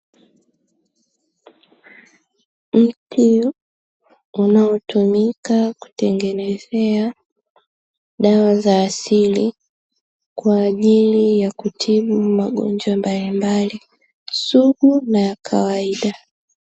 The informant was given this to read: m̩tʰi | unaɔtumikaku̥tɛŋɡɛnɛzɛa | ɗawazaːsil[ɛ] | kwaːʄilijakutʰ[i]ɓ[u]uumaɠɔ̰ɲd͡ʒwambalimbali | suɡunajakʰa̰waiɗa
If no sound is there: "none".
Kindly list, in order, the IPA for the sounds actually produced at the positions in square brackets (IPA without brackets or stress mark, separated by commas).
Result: i, i, u